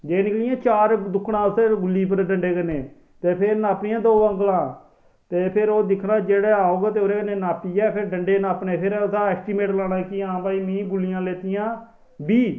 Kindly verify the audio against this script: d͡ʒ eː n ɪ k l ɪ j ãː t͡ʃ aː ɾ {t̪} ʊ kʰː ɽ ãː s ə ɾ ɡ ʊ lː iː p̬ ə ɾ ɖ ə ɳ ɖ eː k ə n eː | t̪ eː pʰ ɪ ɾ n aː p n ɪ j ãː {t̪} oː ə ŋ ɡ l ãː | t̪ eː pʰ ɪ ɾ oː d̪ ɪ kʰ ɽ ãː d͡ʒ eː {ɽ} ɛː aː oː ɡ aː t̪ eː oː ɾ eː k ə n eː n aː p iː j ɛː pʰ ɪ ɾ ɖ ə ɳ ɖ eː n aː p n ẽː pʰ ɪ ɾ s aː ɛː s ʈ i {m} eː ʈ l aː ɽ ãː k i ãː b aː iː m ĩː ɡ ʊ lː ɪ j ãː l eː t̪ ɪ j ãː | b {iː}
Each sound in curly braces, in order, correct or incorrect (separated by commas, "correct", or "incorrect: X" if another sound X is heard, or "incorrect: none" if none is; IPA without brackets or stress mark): incorrect: d̪, incorrect: d̪, correct, correct, correct